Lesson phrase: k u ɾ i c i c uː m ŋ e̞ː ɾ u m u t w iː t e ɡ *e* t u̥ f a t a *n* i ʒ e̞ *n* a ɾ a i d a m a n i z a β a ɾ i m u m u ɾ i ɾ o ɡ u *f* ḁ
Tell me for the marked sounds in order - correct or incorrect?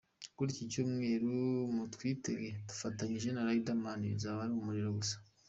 correct, incorrect: ɲ, correct, incorrect: s

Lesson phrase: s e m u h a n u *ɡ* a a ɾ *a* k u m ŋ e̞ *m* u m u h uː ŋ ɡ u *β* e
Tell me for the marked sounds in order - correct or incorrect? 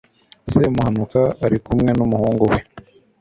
incorrect: k, incorrect: i, incorrect: n, incorrect: w

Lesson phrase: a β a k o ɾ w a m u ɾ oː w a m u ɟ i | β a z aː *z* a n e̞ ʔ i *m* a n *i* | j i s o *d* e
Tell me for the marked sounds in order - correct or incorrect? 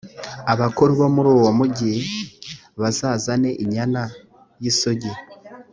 correct, incorrect: ɲ, incorrect: a, incorrect: ɟ

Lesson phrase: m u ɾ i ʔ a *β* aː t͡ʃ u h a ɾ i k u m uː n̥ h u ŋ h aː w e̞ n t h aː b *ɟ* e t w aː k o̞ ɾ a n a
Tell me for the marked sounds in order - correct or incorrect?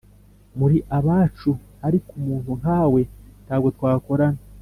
correct, incorrect: ɡ

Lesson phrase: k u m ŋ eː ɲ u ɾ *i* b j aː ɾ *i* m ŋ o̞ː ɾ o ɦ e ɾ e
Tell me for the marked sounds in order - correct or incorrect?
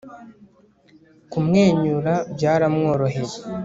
incorrect: a, incorrect: a

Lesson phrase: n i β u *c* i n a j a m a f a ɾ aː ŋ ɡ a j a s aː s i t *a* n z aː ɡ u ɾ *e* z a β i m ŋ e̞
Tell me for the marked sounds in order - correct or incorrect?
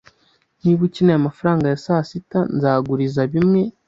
correct, correct, incorrect: i

